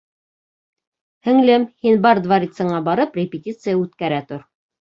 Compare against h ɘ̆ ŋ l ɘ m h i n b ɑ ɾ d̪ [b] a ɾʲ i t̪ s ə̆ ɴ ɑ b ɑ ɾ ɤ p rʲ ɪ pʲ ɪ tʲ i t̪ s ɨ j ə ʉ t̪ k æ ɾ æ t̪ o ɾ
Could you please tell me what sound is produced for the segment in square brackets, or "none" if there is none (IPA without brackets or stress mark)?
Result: v